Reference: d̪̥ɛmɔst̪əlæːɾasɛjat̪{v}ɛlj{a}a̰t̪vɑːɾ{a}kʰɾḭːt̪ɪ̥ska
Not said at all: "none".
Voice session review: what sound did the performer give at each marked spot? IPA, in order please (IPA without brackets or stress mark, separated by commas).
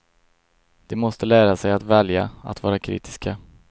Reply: v, a, a